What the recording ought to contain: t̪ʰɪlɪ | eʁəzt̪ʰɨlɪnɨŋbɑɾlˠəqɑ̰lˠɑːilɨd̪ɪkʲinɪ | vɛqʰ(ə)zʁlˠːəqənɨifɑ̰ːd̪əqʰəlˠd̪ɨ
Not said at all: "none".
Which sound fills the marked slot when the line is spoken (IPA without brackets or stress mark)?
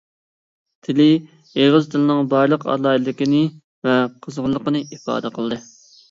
ə